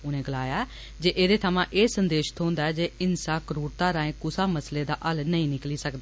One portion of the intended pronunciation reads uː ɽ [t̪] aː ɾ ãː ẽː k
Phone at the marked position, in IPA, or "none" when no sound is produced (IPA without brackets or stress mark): t̪